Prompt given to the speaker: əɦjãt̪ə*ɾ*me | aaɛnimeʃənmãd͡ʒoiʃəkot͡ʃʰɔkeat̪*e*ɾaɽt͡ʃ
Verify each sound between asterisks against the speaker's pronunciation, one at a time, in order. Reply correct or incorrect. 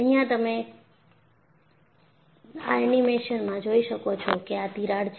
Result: incorrect, incorrect

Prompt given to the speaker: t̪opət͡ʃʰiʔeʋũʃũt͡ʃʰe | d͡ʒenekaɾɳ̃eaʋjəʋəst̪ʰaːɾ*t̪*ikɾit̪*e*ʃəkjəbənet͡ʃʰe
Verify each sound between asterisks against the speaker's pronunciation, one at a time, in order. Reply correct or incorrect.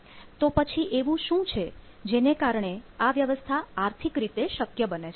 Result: incorrect, correct

